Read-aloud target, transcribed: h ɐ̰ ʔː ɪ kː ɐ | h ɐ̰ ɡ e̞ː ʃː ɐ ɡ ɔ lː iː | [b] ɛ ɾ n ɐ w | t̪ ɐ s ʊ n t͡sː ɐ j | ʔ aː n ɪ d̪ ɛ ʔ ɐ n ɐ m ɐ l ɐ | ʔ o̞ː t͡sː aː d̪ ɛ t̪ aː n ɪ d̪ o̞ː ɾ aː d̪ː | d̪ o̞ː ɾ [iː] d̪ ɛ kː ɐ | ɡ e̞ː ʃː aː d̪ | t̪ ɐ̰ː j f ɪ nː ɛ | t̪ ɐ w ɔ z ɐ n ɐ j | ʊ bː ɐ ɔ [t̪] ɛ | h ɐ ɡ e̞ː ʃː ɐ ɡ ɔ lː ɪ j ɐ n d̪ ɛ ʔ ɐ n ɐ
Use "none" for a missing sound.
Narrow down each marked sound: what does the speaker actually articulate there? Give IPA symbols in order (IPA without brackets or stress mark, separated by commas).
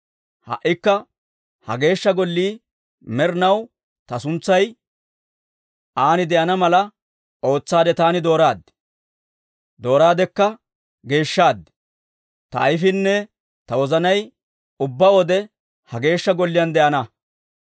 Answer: m, aː, d̪